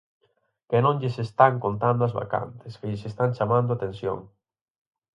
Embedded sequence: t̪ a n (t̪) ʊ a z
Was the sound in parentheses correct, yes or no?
no